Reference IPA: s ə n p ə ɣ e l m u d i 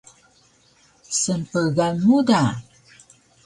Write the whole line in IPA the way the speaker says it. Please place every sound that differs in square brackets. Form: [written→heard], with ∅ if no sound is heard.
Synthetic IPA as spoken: s ə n p ə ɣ [e→a] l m u d [i→a]